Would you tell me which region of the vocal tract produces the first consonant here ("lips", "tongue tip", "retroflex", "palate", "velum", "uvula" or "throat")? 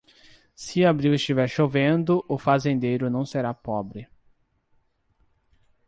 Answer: tongue tip